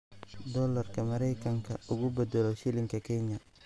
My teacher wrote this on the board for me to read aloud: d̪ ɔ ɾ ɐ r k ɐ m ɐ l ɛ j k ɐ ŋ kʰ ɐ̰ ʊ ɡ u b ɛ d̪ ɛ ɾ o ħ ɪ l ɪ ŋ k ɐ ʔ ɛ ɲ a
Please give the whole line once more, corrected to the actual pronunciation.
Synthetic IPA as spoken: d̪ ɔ l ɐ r k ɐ m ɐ ɾ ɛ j k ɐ ŋ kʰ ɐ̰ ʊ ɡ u b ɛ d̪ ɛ l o ʃ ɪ l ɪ ŋ k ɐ k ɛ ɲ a